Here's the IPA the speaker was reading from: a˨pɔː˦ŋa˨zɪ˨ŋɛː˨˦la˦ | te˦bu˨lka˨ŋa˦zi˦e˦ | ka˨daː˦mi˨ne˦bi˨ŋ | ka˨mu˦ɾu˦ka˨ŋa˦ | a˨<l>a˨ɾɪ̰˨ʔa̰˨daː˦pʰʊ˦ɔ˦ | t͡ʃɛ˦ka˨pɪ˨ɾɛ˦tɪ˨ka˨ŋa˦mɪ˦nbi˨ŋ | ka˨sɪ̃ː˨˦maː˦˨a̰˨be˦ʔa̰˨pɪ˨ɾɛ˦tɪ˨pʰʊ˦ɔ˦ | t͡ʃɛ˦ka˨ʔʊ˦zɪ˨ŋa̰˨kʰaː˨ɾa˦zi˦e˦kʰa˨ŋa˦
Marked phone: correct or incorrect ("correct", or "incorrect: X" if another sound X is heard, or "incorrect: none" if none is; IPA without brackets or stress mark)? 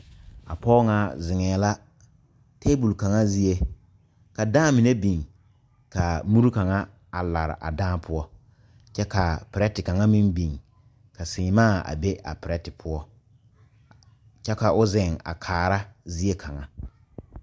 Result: correct